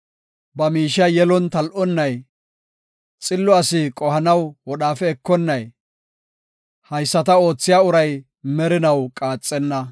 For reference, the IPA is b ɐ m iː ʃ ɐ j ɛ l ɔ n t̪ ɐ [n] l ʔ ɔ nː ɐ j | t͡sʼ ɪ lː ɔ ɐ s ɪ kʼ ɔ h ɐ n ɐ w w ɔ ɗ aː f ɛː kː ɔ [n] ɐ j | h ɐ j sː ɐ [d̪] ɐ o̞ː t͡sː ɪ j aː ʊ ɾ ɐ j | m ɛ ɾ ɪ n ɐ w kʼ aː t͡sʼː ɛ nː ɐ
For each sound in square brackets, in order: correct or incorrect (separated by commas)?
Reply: incorrect, incorrect, incorrect